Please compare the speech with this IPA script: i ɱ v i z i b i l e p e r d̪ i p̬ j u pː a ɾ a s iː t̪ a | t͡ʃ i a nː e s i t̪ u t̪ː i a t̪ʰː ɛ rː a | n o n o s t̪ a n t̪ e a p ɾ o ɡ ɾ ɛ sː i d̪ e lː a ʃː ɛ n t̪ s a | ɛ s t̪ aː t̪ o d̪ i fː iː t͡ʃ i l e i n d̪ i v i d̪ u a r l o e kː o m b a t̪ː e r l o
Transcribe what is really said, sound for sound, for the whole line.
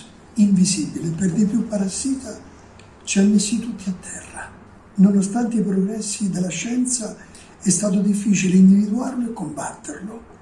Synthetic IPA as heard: i ɱ v i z i b i l e p e r d̪ i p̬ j u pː a ɾ a s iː t̪ a | t͡ʃ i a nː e s i t̪ u t̪ː i a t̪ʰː ɛ rː a | n o n o s t̪ a n t̪ e i p ɾ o ɡ ɾ ɛ sː i d̪ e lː a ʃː ɛ n t̪ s a | ɛ s t̪ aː t̪ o d̪ i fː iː t͡ʃ i l e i n d̪ i v i d̪ u a r l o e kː o m b a t̪ː e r l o